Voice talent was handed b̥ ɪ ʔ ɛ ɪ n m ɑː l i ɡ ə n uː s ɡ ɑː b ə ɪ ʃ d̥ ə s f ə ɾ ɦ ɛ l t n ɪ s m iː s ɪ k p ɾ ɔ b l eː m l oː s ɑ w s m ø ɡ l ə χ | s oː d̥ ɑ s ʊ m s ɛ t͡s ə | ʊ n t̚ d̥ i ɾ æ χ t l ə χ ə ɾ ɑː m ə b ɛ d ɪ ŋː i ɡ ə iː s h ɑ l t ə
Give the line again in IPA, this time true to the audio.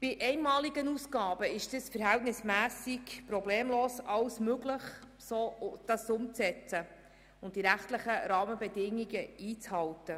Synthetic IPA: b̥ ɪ ʔ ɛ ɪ n m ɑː l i ɡ ə n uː s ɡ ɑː b ə ɪ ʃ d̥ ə s f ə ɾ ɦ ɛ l t n ɪ s m æː s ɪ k p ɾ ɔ b l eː m l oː s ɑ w s m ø ɡ l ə χ | s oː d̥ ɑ s ʊ m t͡s ɛ t͡s ə | ʊ n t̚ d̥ i ɾ æ χ t l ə χ ə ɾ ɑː m ə b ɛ d ɪ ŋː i ɡ ə iː t͡s h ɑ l t ə